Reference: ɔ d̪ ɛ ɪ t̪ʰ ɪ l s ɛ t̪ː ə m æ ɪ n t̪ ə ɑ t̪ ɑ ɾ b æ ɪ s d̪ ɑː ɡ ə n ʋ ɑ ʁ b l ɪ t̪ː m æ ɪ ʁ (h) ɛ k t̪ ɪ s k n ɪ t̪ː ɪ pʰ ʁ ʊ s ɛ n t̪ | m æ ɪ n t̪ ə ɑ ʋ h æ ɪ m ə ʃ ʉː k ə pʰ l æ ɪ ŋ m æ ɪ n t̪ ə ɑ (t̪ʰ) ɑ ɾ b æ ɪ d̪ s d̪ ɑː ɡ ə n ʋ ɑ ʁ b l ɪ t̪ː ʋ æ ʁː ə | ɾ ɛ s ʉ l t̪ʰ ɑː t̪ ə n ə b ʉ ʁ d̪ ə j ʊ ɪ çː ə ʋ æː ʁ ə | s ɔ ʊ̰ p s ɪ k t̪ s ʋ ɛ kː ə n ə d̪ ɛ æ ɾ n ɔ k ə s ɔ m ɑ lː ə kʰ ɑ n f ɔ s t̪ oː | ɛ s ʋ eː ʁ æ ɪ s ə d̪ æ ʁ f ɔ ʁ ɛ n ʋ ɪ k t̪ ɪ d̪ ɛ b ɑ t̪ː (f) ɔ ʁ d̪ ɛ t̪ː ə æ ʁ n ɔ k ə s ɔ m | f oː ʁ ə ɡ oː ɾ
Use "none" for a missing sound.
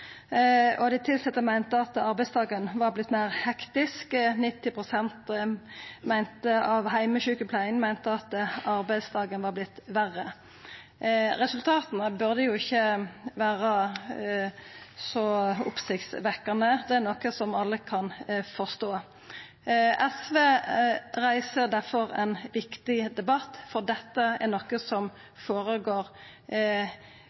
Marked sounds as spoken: h, t̪, f

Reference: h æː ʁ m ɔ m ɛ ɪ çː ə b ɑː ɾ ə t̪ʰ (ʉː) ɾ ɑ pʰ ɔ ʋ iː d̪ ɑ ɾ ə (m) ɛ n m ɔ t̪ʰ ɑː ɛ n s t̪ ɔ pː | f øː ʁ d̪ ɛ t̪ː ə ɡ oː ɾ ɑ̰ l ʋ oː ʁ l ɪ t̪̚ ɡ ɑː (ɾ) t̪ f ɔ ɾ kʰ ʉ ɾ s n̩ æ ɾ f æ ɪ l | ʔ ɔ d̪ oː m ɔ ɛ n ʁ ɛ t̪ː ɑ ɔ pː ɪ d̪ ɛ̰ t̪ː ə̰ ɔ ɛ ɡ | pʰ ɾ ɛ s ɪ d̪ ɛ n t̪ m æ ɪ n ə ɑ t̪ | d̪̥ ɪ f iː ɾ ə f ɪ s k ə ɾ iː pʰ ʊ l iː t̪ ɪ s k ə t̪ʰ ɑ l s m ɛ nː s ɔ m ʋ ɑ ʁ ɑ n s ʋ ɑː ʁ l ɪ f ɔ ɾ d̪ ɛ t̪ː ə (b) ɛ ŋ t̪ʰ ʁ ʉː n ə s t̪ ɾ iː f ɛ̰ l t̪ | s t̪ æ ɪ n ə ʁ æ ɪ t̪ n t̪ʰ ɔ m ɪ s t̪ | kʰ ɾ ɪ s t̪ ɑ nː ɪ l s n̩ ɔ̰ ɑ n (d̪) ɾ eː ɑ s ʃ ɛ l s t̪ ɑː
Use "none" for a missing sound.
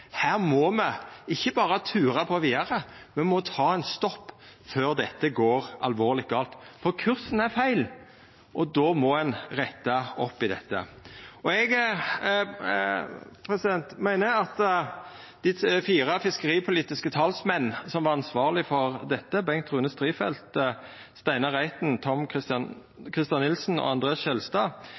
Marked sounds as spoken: ʉː, m, l, b, d̪

